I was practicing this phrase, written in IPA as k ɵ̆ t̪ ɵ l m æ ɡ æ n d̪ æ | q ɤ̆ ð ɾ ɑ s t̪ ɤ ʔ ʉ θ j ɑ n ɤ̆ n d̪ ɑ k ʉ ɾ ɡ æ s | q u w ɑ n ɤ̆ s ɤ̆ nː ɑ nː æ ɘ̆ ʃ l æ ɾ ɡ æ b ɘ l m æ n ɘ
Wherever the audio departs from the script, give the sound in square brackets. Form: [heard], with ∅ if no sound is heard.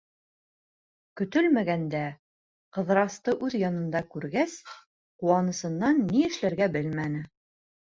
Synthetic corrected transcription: k ɵ̆ t̪ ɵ l m æ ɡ æ n d̪ æ | q ɤ̆ ð ɾ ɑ s t̪ ɤ ʔ ʉ [ð] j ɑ n ɤ̆ n d̪ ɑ k ʉ ɾ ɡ æ s | q u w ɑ n ɤ̆ s ɤ̆ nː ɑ nː [i] ɘ̆ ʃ l æ ɾ ɡ æ b ɘ l m æ n ɘ